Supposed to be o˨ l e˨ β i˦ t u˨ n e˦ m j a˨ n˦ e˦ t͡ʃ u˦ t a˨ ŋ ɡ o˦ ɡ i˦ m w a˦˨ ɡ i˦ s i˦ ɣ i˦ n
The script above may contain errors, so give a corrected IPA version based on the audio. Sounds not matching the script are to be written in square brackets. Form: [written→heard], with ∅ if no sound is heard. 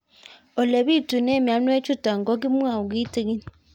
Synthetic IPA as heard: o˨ l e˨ β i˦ t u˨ n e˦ m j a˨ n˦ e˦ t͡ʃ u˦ t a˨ ŋ ɡ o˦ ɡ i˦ m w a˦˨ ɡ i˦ [s→t] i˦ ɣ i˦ n